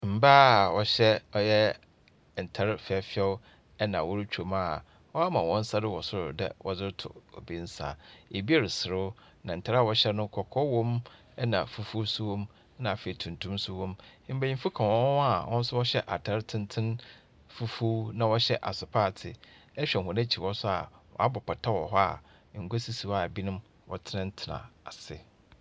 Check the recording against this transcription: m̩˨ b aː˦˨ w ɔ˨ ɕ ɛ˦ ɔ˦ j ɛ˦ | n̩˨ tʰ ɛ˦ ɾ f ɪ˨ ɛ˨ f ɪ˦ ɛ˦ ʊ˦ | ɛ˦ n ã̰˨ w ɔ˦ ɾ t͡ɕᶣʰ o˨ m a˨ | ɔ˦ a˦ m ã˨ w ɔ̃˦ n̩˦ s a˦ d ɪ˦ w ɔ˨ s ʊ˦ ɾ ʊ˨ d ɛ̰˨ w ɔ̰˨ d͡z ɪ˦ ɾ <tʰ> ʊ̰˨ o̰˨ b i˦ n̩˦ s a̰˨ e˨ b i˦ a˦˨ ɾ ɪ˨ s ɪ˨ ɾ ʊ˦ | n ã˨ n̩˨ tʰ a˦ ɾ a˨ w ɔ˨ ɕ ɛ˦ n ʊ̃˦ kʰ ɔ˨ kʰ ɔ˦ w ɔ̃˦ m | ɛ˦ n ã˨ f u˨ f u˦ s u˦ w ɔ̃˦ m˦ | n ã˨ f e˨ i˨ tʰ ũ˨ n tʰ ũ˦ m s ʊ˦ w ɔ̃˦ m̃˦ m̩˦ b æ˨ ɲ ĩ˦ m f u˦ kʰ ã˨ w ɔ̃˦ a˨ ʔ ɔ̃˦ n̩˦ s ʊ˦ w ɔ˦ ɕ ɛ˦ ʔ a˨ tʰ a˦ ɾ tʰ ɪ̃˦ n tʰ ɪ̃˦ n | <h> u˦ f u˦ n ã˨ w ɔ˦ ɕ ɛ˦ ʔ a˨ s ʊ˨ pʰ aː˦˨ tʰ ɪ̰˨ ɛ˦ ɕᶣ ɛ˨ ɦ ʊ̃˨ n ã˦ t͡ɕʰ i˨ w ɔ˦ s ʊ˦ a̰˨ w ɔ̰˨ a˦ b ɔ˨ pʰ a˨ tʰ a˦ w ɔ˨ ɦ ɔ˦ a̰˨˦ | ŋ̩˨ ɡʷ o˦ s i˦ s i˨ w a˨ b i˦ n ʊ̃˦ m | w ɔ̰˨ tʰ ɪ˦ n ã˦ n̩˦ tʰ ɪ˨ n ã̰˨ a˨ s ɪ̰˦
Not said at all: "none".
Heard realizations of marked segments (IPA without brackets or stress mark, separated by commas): tʰ, f